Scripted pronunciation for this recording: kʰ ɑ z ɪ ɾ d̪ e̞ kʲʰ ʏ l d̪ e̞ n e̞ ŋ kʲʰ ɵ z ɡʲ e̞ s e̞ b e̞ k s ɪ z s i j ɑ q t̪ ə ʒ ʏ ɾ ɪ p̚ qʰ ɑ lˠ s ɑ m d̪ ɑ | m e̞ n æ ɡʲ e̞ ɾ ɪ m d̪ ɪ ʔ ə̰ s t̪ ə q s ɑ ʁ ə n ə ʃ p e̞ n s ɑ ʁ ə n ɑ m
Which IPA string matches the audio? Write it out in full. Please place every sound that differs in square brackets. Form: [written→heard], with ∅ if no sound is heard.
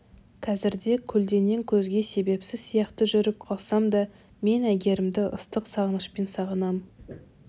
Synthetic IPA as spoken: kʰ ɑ z ɪ ɾ d̪ e̞ kʲʰ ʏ l d̪ e̞ n e̞ ŋ kʲʰ ɵ z ɡʲ e̞ s e̞ b e̞ [k→p] s ɪ z s i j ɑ q t̪ ə ʒ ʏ ɾ ɪ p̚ qʰ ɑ lˠ s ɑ m d̪ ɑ | m e̞ n æ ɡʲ e̞ ɾ ɪ m d̪ ɪ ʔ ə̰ s t̪ ə q s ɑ ʁ ə n ə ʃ p e̞ n s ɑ ʁ ə n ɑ m